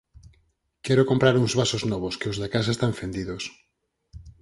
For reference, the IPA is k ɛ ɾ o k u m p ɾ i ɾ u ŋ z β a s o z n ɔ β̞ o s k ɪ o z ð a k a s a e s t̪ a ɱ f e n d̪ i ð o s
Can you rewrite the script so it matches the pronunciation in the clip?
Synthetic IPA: k ɛ ɾ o k o m p ɾ a ɾ u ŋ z β a s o z n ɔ β̞ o s k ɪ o z ð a k a s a e s t̪ a ɱ f e n d̪ i ð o s